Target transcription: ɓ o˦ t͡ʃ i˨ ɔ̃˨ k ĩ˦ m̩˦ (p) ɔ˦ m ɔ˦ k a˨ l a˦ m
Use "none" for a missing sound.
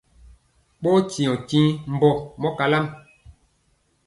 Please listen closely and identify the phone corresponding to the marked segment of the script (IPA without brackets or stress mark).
b